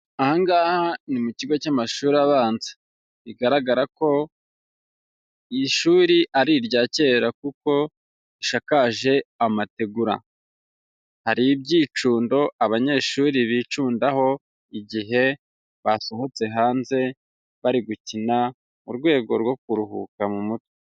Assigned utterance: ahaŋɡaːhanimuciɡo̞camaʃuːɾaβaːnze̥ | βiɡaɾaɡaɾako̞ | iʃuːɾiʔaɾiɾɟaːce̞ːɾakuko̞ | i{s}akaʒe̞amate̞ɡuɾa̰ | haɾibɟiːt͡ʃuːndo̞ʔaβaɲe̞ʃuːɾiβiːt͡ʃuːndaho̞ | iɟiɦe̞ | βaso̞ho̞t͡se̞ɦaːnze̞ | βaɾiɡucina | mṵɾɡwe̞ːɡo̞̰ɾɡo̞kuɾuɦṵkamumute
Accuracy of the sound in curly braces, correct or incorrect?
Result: incorrect